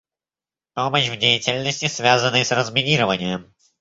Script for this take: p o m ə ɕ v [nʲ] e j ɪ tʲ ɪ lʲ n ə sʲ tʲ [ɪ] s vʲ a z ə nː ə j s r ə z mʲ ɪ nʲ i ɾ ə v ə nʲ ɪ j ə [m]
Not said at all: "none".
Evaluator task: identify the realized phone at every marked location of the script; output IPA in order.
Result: dʲ, ɪ, m

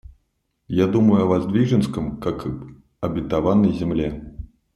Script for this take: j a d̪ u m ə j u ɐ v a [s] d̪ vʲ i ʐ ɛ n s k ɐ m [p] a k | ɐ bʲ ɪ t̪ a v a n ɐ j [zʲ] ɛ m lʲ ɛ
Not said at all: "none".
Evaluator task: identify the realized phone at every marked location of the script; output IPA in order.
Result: z, k, zʲ

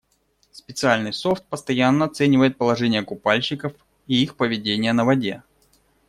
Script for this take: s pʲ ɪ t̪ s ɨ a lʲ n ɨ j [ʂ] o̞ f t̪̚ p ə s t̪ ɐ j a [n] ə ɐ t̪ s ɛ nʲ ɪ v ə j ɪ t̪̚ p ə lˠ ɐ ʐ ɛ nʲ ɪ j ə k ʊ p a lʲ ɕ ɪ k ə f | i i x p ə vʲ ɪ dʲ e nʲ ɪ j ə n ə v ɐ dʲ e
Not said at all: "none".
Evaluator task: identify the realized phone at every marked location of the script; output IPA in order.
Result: s, nː

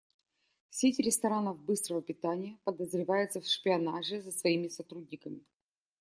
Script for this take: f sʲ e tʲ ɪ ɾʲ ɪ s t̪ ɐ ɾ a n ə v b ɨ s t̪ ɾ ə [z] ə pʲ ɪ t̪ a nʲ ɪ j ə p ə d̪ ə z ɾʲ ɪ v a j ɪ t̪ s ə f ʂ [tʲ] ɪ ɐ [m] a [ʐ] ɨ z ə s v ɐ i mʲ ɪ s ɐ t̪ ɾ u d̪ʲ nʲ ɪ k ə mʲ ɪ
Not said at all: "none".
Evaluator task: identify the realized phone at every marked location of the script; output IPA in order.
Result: v, pʲ, n, ʐ

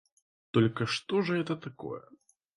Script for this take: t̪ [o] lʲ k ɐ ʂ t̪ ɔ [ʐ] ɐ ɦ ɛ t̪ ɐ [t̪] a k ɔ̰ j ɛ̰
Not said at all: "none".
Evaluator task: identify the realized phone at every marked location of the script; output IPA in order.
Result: ɔ, ʐ, t̪

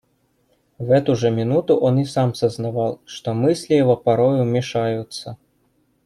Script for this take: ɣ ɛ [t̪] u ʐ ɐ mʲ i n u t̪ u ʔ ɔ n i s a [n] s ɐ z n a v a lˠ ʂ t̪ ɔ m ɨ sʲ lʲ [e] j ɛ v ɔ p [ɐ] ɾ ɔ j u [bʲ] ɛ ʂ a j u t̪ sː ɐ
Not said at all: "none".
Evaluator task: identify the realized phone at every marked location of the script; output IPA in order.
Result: t̪, m, i, a, mʲ

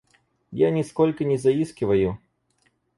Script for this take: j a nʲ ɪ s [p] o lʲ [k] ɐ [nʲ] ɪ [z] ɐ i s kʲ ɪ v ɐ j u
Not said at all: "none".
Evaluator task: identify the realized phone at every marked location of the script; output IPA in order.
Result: k, k, nʲ, z

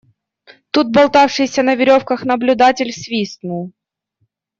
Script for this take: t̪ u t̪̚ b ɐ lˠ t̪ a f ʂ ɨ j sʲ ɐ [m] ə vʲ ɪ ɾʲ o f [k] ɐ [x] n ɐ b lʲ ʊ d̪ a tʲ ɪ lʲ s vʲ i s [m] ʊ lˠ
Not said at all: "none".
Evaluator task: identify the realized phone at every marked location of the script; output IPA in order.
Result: n, k, x, n

